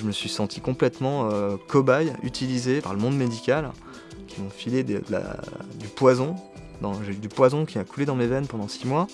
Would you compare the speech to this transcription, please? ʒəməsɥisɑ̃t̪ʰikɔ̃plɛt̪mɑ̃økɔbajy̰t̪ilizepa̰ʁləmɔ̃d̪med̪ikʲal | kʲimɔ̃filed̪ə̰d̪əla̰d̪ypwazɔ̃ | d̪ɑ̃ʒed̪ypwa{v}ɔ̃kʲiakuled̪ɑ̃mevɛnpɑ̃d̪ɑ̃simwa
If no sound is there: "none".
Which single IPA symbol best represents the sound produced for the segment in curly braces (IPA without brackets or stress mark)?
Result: z